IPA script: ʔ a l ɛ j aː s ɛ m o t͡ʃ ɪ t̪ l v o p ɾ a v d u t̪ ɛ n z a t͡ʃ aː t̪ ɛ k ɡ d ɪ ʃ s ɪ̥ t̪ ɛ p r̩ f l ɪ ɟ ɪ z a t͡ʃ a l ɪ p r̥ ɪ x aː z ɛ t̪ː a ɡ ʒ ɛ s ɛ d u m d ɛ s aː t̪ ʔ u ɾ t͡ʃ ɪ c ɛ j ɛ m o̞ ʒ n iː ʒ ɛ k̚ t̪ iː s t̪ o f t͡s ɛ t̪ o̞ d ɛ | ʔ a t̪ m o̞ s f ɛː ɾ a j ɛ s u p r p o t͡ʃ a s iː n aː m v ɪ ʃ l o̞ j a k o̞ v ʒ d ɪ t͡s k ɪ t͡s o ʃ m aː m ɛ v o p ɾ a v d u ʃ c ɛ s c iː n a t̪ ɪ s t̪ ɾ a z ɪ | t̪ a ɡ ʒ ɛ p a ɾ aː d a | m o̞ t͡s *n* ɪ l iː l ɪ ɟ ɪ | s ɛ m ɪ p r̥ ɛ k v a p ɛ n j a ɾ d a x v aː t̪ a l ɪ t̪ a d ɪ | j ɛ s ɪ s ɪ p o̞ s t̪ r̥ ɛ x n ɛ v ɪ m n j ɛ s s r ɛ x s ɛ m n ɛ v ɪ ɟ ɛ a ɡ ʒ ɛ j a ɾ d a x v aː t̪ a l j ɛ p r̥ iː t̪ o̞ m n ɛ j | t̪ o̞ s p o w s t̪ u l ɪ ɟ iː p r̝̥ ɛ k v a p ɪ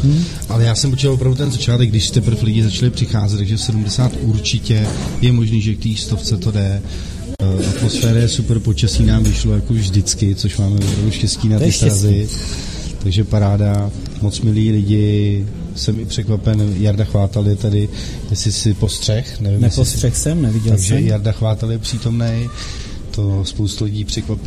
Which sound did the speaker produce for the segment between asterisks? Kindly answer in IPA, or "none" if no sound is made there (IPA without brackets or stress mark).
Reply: m